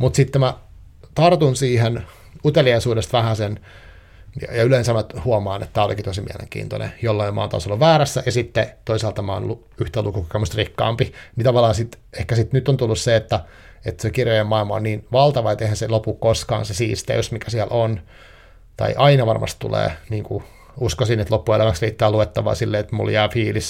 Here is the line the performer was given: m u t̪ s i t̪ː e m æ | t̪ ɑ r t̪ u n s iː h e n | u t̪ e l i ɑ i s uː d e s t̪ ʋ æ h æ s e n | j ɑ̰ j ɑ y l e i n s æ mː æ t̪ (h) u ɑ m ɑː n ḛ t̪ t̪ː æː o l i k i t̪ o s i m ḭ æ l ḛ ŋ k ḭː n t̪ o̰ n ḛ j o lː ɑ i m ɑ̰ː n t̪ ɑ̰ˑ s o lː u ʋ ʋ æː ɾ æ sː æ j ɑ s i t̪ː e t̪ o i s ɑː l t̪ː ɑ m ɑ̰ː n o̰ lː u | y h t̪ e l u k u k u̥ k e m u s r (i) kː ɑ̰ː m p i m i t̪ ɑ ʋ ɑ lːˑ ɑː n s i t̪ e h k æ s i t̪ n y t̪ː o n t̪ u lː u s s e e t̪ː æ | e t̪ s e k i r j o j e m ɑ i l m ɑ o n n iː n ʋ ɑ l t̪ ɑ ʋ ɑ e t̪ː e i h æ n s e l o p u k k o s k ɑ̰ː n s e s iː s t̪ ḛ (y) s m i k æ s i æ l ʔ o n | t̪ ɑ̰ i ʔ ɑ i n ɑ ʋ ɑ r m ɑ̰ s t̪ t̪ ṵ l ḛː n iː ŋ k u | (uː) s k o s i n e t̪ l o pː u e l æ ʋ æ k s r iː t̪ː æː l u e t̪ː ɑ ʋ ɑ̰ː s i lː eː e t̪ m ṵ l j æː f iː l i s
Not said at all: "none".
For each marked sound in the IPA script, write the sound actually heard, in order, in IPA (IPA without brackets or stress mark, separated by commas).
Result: h, i, y, u